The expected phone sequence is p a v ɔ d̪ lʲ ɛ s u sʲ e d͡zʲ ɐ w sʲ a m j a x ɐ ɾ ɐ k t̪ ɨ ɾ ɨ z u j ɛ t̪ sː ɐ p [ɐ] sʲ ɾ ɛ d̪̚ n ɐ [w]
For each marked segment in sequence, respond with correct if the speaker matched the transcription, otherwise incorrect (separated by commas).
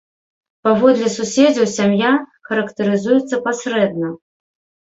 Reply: incorrect, incorrect